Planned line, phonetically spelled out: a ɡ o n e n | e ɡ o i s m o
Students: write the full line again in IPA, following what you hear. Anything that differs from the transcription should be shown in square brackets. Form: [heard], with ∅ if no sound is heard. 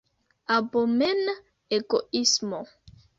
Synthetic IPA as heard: a [b] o [m] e n | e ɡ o i s m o